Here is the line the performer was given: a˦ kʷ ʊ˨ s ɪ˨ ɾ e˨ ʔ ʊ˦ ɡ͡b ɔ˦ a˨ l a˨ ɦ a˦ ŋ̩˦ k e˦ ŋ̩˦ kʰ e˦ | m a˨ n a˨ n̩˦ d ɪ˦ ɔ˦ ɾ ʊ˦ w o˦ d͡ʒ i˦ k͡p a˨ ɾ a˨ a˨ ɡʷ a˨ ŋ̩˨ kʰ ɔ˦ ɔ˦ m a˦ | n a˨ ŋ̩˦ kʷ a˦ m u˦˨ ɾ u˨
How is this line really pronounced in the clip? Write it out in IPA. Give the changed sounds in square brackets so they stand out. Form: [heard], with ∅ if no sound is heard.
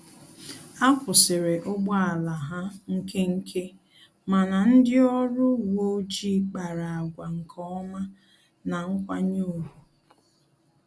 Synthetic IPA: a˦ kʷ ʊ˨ s ɪ˨ ɾ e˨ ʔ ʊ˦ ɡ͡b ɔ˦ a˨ l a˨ ɦ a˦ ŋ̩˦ k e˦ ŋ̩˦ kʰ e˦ | m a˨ n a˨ n̩˦ d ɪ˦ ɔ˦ ɾ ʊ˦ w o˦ d͡ʒ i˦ k͡p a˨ ɾ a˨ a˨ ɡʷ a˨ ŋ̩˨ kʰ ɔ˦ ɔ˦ m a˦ | n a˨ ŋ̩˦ kʷ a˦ [ɲ] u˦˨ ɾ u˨